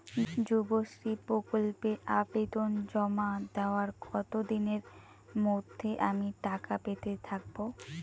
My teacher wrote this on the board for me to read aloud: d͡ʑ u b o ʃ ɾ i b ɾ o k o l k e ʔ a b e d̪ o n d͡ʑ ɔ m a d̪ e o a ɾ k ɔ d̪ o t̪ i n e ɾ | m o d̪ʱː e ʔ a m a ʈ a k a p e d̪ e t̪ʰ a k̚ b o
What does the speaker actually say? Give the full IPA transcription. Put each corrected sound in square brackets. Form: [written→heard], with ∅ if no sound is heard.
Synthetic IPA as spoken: d͡ʑ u b o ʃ ɾ i [b→p] ɾ o k o l [k→p] e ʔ a b e d̪ o n d͡ʑ ɔ m a d̪ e o a ɾ [k→ɡ] ɔ [d̪→t̪] o [t̪→d̪] i n e ɾ | m o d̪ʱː e ʔ a m [a→i] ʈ a k a p e [d̪→t̪] e t̪ʰ a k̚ b o